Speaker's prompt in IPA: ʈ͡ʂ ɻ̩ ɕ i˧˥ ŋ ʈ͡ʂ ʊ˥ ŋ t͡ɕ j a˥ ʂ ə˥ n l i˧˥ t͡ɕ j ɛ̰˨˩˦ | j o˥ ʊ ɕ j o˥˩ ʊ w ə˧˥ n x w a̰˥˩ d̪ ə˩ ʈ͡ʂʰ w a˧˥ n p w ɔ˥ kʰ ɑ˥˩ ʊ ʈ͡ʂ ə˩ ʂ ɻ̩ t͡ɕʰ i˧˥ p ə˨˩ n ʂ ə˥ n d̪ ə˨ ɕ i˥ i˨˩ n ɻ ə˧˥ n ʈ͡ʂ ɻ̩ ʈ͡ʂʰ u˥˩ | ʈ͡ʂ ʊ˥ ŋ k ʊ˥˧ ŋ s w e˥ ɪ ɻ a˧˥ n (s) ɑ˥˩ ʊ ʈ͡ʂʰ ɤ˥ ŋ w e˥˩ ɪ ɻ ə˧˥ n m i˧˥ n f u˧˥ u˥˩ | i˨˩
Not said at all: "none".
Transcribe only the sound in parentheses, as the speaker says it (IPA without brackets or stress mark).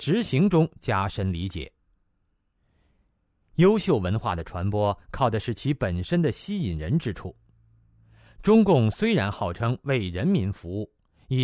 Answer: x